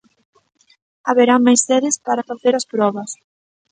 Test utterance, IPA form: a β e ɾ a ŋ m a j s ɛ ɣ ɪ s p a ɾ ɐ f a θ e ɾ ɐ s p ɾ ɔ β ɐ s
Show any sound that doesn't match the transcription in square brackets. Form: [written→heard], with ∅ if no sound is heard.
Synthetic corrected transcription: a β e ɾ a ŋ m a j s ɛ [ɣ→ð] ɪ s p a ɾ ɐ f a θ e ɾ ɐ s p ɾ ɔ β ɐ s